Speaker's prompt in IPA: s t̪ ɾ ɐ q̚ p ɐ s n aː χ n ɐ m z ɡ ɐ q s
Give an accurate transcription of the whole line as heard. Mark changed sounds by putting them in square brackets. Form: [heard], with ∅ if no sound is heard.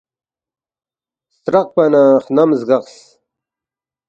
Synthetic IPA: s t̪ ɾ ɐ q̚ p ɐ [∅] n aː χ n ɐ m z ɡ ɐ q s